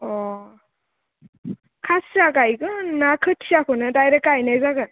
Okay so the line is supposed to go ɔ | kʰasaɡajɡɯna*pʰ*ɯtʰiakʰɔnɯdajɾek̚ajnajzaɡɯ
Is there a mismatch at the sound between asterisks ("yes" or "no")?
yes